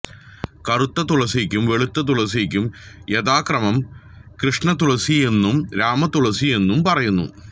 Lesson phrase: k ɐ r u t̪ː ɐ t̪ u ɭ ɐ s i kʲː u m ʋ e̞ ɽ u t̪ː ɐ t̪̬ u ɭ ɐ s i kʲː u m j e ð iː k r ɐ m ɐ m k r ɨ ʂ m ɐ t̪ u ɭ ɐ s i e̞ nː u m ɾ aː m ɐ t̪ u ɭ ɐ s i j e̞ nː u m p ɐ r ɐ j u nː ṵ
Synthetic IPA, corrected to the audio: k ɐ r u t̪ː ɐ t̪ u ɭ ɐ s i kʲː u m ʋ e̞ ɭ u t̪ː ɐ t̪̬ u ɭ ɐ s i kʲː u m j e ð aː k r ɐ m ɐ m k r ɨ ʂ ɳ ɐ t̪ u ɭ ɐ s i e̞ nː u m ɾ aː m ɐ t̪ u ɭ ɐ s i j e̞ nː u m p ɐ r ɐ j u nː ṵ